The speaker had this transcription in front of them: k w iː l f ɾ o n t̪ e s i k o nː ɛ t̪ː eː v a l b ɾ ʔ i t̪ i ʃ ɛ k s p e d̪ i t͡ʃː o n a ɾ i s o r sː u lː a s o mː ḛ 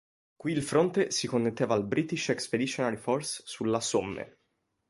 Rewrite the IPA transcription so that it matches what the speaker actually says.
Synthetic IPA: k w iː l f ɾ o n t̪ e s i k o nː e t̪ː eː v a l b ɾ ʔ i t̪ i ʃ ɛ k s p e d̪ i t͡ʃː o n a ɾ i f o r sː u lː a s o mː ḛ

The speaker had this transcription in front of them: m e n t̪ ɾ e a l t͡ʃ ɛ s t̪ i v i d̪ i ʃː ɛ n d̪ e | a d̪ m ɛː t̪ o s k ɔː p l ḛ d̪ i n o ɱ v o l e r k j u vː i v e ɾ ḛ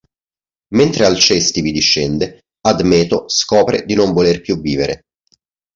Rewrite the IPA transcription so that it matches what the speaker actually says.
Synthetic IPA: m e n t̪ ɾ e a l t͡ʃ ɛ s t̪ i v i d̪ i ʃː ɛ n d̪ e | a d̪ m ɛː t̪ o s k ɔː p ɾ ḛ d̪ i n o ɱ v o l e r p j u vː iː v e ɾ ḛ

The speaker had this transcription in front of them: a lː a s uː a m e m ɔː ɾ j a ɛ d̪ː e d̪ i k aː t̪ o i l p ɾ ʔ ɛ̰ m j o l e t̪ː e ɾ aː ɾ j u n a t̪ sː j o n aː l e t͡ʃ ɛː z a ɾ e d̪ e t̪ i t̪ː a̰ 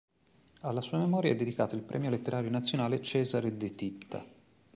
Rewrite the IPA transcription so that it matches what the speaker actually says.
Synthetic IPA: a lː a s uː a m e m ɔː ɾ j a ɛ d̪ː e d̪ i k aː t̪ o i l p ɾ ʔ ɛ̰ m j o l e t̪ː e ɾ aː ɾ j o n a t̪ sː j o n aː l e t͡ʃ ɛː z a ɾ e d̪ e t̪ i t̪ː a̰

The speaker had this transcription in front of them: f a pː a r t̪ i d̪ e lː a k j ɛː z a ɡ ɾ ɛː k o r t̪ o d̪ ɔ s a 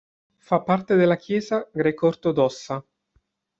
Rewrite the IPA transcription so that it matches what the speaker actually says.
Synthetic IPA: f a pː a r t̪ e d̪ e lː a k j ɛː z a ɡ ɾ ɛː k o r t̪ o d̪ ɔ sː a

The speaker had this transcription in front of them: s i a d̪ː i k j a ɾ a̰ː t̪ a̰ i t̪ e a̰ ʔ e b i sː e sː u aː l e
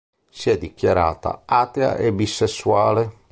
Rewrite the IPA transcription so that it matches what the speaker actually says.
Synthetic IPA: s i ɛ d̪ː i k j a ɾ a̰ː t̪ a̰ a t̪ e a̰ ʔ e b i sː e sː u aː l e

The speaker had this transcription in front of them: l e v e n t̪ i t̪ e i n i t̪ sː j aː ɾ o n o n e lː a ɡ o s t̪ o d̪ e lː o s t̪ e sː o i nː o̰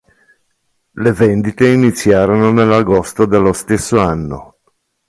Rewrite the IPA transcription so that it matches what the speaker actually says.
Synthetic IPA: l e v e n d̪ i t̪ e i n i t̪ sː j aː ɾ o n o n e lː a ɡ o s t̪ o d̪ e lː o s t̪ e sː o a nː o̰

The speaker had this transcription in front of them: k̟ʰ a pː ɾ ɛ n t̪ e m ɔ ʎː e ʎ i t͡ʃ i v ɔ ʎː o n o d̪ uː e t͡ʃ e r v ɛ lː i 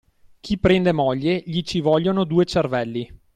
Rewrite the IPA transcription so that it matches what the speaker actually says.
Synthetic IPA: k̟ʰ i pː ɾ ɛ n d̪ e m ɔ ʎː e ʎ i t͡ʃ i v ɔ ʎː o n o d̪ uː e t͡ʃ e r v ɛ lː i

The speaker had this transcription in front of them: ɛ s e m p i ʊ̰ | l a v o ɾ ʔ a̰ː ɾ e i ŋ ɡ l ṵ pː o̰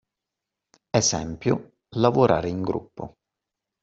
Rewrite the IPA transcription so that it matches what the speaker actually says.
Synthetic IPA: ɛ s ɛ m p j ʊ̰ | l a v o ɾ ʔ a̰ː ɾ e i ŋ ɡ ɾ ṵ pː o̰

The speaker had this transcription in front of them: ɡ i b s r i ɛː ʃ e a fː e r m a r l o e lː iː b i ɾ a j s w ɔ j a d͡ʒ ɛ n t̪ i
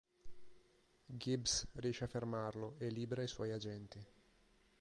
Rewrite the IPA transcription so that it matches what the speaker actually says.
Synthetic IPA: ɡ i b s r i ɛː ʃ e a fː e r m a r l o e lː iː b e ɾ a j s w ɔ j a d͡ʒ ɛ n t̪ i

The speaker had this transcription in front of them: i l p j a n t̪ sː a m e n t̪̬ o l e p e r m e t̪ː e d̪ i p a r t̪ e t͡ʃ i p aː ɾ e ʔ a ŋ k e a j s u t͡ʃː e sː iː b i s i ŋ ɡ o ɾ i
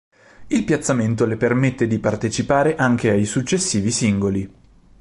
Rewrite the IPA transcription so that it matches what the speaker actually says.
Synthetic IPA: i l p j a t̪ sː a m e n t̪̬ o l e p e r m e t̪ː e d̪ i p a r t̪ e t͡ʃ i p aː ɾ e ʔ a ŋ k e a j s u t͡ʃː e sː iː v i s i ŋ ɡ o l i

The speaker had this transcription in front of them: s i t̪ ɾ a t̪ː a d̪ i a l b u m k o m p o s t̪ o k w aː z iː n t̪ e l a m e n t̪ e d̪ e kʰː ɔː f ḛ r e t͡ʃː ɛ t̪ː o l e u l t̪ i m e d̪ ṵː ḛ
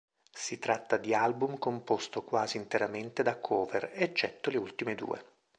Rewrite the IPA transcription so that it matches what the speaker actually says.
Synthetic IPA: s i t̪ ɾ a t̪ː a d̪ i a l b u m k o m p o s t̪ o k w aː z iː n t̪ e ɾ a m e n t̪ e d̪ a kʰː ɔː v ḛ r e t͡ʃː ɛ t̪ː o l e u l t̪ i m e d̪ ṵː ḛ

